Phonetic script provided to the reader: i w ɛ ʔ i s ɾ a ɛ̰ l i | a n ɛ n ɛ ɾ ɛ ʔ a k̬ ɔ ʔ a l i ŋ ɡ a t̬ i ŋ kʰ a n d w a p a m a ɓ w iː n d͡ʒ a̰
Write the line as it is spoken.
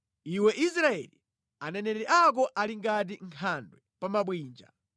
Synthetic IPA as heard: i w ɛ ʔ i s ɾ a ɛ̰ l i | a n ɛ n ɛ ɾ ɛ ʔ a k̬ ɔ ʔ a l i ŋ ɡ a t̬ i ŋ kʰ a n d w ɛ p a m a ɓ w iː n d͡ʒ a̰